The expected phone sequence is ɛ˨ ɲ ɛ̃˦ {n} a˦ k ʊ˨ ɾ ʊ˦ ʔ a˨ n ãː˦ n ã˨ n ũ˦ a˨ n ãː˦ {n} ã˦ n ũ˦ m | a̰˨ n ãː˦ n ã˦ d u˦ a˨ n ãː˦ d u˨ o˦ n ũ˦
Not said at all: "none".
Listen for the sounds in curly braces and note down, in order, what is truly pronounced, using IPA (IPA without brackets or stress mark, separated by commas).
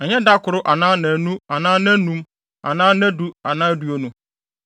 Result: d, n